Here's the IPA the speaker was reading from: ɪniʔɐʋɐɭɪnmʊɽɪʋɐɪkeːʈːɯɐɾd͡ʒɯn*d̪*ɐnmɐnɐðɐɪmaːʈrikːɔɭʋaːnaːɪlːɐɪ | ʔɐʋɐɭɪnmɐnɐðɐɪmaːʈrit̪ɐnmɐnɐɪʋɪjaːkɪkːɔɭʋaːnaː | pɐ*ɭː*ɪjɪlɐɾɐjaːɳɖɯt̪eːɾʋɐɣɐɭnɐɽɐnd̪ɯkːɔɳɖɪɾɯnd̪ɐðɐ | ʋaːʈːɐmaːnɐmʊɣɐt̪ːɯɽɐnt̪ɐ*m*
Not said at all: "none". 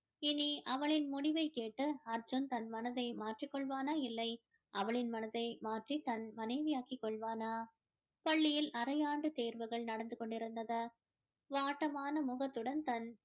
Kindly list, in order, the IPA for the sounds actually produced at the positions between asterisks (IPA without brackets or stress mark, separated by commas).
t̪, ɭː, n